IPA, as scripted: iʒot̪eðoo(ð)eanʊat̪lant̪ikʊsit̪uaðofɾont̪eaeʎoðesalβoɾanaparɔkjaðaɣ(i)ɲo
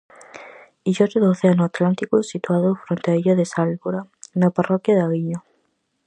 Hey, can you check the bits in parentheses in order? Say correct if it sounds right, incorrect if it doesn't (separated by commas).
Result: incorrect, correct